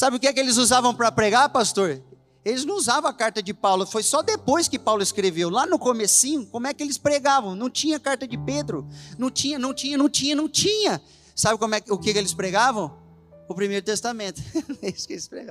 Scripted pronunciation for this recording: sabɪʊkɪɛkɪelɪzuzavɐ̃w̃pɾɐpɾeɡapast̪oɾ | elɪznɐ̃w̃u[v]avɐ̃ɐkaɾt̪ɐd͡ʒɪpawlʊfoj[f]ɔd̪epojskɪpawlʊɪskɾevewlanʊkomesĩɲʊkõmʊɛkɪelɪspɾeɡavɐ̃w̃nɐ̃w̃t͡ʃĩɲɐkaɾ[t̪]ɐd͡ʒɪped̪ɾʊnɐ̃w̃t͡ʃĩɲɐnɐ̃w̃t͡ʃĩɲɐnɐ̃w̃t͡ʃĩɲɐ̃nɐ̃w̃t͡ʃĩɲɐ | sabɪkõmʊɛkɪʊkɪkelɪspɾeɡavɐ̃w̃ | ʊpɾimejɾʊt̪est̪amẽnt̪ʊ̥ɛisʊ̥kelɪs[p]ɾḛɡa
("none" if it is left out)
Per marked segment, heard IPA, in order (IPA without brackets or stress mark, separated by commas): z, s, t̪, p